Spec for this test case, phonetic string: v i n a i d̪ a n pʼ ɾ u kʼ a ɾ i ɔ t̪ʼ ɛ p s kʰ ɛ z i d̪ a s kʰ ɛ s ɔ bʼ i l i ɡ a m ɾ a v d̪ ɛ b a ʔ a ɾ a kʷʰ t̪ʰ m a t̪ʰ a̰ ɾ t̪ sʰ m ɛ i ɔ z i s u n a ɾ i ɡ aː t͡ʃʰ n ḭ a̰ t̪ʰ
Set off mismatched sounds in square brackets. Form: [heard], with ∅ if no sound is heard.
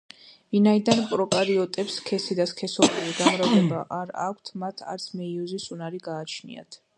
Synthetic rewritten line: v i n a i d̪ a n pʼ ɾ [ɔ] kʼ a ɾ i ɔ t̪ʼ ɛ p s kʰ ɛ [s] i d̪ a s kʰ ɛ s ɔ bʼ i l i ɡ a m ɾ a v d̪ ɛ b a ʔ a ɾ a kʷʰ t̪ʰ m a t̪ʰ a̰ ɾ t̪ sʰ m ɛ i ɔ z i s u n a ɾ i ɡ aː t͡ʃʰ n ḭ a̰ t̪ʰ

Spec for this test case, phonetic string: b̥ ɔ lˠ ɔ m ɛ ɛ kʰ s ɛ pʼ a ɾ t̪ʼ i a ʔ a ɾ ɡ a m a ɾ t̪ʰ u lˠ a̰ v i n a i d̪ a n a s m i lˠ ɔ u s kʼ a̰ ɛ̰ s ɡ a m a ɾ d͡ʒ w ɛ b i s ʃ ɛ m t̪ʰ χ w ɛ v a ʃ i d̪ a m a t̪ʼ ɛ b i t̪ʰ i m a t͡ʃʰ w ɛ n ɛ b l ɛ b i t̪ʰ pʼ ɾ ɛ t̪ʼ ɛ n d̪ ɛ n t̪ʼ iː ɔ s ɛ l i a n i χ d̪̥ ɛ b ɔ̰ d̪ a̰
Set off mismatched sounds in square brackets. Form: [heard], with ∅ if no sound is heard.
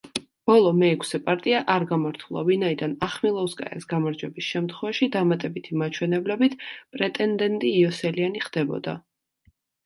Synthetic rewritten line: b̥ ɔ lˠ ɔ m ɛ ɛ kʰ s ɛ pʼ a ɾ t̪ʼ i a ʔ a ɾ ɡ a m a ɾ t̪ʰ u lˠ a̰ v i n a i d̪ a n a [χ] m i lˠ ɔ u s kʼ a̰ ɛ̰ s ɡ a m a ɾ d͡ʒ w ɛ b i s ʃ ɛ m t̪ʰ χ w ɛ v a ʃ i d̪ a m a t̪ʼ ɛ b i t̪ʰ i m a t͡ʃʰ w ɛ n ɛ b l ɛ b i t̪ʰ pʼ ɾ ɛ t̪ʼ ɛ n d̪ ɛ n t̪ʼ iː ɔ s ɛ l i a n i χ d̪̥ ɛ b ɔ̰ d̪ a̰

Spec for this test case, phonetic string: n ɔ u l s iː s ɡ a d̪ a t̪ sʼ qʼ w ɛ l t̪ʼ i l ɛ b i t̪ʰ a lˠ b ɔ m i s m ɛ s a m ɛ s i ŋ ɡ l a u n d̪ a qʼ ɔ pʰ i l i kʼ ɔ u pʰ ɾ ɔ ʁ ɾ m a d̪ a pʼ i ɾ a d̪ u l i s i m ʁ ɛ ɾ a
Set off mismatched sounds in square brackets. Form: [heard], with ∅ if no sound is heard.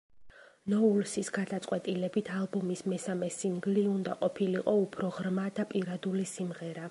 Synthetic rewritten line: n ɔ u l s [i] s ɡ a d̪ a t̪ sʼ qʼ w ɛ [∅] t̪ʼ i l ɛ b i t̪ʰ a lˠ b ɔ m i s m ɛ s a m ɛ s i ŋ ɡ l [i] u n d̪ a qʼ ɔ pʰ i l i [qʼ] ɔ u pʰ ɾ ɔ ʁ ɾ m a d̪ a pʼ i ɾ a d̪ u l i s i m ʁ ɛ ɾ a

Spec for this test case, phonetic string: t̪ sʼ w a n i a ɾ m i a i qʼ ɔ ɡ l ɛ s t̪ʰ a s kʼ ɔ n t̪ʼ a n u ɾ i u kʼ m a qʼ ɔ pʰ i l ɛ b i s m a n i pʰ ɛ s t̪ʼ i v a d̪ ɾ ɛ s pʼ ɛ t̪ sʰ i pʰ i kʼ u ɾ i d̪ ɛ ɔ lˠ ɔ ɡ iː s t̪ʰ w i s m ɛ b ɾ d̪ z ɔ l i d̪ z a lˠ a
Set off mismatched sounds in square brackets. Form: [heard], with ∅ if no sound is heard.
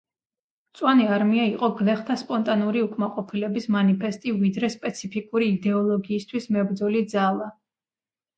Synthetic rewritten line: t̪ sʼ w a n i a ɾ m i a i qʼ ɔ ɡ l ɛ [χ] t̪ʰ a s [pʼ] ɔ n t̪ʼ a n u ɾ i u kʼ m a qʼ ɔ pʰ i l ɛ b i s m a n i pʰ ɛ s t̪ʼ i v [i] d̪ ɾ ɛ s pʼ ɛ t̪ sʰ i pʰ i kʼ u ɾ [iː] d̪ ɛ ɔ lˠ ɔ ɡ iː s t̪ʰ w i s m ɛ b ɾ d̪ z ɔ l i d̪ z a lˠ a

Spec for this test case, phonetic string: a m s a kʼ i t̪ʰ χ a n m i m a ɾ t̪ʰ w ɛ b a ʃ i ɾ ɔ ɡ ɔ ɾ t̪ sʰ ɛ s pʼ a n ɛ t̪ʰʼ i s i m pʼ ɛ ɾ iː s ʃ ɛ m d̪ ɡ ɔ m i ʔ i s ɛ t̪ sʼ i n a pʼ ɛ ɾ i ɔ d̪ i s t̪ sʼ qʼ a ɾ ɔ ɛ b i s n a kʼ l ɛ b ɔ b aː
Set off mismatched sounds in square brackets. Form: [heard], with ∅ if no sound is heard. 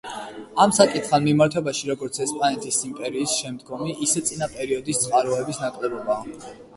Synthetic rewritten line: a m s a kʼ i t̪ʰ χ a n m i m a ɾ t̪ʰ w ɛ b a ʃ i ɾ ɔ ɡ ɔ ɾ t̪ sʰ ɛ s pʼ a n ɛ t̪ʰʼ i s i m pʼ ɛ ɾ iː s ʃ ɛ m d̪ ɡ ɔ m i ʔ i s ɛ t̪ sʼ i n a pʼ ɛ ɾ i ɔ d̪ i s t̪ sʼ qʼ a ɾ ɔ ɛ b i s n a kʼ l ɛ b ɔ b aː

